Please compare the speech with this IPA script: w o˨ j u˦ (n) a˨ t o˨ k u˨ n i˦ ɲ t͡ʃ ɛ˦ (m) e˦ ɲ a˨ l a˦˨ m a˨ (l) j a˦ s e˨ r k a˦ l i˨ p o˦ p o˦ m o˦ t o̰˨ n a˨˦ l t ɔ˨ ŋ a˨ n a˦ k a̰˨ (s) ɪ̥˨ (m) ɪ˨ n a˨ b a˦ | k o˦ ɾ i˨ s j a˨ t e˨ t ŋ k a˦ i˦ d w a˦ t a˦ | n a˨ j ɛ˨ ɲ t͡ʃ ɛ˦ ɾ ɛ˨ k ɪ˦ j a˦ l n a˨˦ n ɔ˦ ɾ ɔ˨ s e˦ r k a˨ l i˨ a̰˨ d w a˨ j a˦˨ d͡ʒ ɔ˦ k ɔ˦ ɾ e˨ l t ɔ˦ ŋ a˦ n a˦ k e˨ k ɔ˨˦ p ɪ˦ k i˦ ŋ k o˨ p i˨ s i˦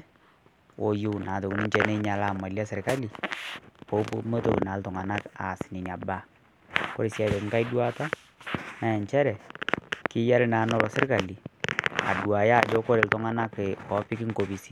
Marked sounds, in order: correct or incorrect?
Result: correct, incorrect: n, correct, correct, incorrect: n

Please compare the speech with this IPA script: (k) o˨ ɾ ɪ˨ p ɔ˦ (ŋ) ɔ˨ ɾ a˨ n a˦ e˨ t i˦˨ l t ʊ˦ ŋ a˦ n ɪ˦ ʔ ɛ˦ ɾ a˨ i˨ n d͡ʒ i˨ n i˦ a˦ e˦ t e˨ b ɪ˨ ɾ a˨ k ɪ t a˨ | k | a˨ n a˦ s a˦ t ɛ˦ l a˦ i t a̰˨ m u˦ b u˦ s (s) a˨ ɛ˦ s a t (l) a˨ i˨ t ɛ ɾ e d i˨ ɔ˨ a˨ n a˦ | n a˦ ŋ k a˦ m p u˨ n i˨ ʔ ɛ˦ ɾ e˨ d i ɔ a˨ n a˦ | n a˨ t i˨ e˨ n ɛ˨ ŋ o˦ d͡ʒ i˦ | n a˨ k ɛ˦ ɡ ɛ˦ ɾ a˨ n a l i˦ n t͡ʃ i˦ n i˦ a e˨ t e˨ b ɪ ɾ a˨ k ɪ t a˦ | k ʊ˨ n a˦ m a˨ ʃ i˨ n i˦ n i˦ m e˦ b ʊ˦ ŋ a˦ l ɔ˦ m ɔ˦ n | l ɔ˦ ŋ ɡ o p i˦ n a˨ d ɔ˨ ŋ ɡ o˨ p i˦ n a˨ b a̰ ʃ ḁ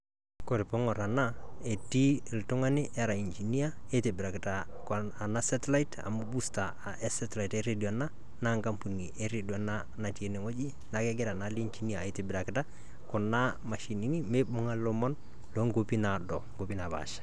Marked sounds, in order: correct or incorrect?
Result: correct, correct, incorrect: t, correct

